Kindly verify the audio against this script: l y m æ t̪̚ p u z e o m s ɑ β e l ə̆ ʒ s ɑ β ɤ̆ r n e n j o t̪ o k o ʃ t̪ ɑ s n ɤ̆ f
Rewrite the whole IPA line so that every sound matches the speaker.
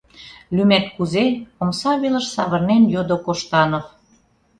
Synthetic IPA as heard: l y m æ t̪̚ k u z e o m s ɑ β e l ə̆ ʃ s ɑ β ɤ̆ r n e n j o d̪ o k o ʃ t̪ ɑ n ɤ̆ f

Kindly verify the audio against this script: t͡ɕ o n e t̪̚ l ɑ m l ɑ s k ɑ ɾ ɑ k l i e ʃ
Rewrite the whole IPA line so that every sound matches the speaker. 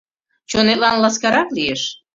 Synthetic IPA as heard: t͡ɕ o n e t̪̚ l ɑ n l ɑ s k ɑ ɾ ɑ k l i e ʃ

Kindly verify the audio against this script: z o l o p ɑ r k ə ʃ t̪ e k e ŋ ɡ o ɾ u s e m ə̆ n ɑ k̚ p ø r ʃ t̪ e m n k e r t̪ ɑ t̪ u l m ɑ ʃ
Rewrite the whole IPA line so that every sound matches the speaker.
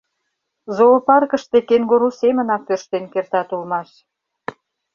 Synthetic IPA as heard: z o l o p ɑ r k ə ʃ t̪ e k e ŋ ɡ o ɾ u s e m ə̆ n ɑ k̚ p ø r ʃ t̪ e n k e r t̪ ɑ t̪ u l m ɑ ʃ

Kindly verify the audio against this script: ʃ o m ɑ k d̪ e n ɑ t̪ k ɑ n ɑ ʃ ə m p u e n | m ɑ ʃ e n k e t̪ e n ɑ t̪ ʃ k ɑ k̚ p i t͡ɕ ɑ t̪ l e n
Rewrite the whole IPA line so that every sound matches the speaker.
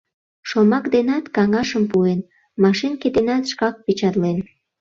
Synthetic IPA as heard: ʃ o m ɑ k d̪ e n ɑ t̪ k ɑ ŋ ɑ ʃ ə m p u e n | m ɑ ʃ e n k e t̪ e n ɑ t̪ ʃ k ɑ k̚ p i t͡ɕ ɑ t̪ l e n

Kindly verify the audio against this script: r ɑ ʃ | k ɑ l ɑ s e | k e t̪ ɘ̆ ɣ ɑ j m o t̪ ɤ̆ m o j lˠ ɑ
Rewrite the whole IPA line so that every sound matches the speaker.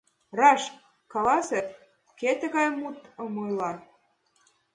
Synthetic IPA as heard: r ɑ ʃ | k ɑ l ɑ s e | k e t̪ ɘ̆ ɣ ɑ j m u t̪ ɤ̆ m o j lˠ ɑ

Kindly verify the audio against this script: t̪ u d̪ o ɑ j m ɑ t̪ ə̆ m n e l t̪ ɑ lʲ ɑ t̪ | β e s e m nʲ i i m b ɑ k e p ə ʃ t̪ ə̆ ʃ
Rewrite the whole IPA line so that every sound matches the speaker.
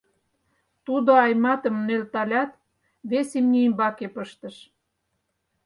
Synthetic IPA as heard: t̪ u d̪ o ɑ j m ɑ t̪ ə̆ m n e l t̪ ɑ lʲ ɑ t̪ | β e s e m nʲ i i m b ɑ k e p ə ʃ t̪ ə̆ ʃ

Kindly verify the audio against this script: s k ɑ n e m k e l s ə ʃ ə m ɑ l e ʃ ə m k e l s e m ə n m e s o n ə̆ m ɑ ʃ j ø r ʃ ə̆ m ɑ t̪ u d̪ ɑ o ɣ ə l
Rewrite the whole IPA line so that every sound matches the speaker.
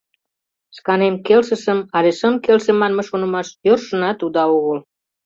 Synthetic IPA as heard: s k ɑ n e m k e l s ə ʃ ə m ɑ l e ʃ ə m k e l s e m ɑ n m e ʃ o n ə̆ m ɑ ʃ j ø r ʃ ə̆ n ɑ t̪ u d̪ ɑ o ɣ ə l

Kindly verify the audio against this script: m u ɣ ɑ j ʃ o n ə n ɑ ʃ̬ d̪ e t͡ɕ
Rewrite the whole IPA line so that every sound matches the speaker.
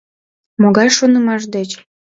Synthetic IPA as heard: m o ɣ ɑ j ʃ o n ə m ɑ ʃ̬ d̪ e t͡ɕ

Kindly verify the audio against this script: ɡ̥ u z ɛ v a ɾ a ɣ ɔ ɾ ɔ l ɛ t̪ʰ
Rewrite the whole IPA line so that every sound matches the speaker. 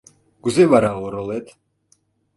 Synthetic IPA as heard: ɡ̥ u z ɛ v a ɾ a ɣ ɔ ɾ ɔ l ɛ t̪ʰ

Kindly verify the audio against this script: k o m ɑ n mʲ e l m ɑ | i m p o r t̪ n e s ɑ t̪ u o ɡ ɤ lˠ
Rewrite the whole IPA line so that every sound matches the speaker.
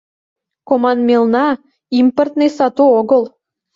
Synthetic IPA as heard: k o m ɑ n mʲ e l n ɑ | i m p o r t̪ n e s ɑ t̪ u o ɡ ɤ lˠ

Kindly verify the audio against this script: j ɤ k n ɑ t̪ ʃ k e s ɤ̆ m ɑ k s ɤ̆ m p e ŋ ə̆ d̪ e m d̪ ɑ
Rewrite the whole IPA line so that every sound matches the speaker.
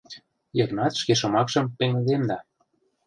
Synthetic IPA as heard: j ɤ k n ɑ t̪ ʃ k e ʃ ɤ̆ m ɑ k ʃ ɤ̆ m p e ŋ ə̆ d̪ e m d̪ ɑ

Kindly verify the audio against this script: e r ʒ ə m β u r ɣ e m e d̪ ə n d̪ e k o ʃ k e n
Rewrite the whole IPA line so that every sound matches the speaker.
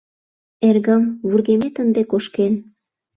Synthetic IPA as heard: e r ɣ ə m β u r ɣ e m e t̪ ə n d̪ e k o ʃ k e n

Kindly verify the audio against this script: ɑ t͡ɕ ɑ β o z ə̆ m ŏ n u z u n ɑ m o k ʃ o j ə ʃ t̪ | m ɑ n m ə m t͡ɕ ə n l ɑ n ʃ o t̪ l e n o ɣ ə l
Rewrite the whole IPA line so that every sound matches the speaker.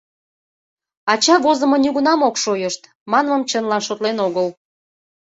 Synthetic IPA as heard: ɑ t͡ɕ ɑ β o z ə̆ m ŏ n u ɣ u n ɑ m o k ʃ o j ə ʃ t̪ | m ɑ n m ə m t͡ɕ ə n l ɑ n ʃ o t̪ l e n o ɣ ə l

